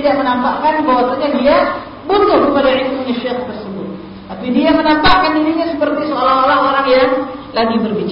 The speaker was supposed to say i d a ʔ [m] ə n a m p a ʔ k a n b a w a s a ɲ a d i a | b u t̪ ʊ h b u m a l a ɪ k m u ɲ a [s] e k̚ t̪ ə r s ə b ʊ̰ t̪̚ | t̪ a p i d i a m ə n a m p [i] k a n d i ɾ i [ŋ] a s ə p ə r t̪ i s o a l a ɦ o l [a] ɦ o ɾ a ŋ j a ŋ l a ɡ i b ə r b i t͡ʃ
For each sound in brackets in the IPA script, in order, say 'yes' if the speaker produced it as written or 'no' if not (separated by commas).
yes, no, no, no, yes